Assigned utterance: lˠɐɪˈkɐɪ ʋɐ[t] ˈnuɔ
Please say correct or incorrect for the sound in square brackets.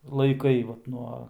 correct